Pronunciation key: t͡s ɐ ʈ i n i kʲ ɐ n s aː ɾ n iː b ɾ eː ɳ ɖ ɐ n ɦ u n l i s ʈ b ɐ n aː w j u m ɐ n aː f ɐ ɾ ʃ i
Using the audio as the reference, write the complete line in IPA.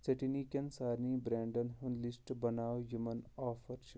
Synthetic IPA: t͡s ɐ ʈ i n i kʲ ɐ n s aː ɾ n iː b ɾ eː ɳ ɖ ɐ n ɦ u n l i s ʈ b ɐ n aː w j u m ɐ n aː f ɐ ɾ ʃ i